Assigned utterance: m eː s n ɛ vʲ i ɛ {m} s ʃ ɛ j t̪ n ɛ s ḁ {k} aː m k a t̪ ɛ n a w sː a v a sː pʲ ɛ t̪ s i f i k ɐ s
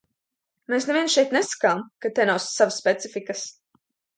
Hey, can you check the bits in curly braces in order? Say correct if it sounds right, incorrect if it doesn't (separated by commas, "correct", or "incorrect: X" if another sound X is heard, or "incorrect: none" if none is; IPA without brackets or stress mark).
incorrect: n, correct